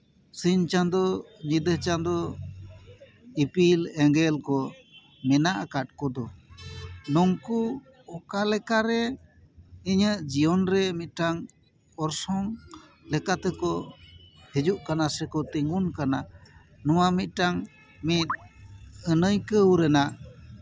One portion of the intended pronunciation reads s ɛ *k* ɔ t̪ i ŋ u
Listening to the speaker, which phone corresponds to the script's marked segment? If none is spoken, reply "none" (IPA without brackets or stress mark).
k